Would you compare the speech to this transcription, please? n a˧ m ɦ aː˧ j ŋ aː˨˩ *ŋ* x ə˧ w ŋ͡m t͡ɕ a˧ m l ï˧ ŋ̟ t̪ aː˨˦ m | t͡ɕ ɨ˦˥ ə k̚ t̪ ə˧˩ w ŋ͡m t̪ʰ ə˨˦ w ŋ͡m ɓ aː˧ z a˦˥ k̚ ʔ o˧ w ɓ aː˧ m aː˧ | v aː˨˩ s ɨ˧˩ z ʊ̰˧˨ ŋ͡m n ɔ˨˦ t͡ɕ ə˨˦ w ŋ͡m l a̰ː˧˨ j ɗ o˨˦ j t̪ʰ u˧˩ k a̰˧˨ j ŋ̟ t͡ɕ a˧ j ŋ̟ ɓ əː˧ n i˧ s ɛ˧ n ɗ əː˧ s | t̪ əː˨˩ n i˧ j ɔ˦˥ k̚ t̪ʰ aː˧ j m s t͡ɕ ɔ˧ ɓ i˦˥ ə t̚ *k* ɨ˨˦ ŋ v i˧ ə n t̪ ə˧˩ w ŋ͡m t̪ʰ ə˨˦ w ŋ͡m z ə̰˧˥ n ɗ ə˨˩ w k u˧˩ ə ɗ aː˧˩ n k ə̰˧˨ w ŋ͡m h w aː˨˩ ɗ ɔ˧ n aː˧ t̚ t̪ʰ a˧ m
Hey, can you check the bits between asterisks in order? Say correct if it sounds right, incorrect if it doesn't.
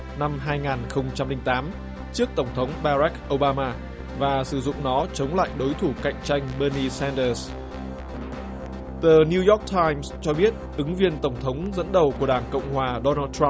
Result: incorrect: n, incorrect: ʔ

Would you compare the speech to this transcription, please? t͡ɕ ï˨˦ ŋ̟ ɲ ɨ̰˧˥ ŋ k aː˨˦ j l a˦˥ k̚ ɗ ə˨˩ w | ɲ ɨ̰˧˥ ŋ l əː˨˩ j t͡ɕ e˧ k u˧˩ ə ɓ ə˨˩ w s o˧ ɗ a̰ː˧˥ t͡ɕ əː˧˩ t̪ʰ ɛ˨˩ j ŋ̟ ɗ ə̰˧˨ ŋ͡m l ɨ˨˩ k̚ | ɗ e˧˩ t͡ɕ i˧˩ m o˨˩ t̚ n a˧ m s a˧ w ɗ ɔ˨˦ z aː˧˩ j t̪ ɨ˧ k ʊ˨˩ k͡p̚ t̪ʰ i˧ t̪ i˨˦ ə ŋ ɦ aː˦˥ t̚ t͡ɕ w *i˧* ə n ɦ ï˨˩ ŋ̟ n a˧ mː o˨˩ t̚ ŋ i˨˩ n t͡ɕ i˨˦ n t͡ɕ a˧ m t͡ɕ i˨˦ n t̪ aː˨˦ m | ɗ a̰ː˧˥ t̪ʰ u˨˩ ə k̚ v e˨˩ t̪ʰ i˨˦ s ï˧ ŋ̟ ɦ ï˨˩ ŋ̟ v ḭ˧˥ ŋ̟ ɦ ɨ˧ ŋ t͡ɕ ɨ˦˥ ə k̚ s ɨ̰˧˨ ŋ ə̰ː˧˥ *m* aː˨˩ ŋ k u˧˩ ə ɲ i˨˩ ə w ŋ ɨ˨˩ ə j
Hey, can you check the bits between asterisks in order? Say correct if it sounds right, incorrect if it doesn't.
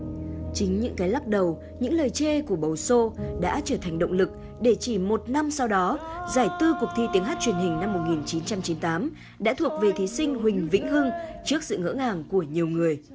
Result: incorrect: i˨˩, incorrect: ŋ

